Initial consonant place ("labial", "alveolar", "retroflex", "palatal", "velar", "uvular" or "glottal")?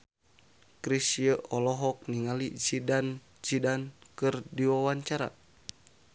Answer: velar